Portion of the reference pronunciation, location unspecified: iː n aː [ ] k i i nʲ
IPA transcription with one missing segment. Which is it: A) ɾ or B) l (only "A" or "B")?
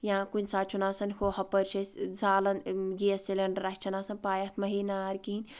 A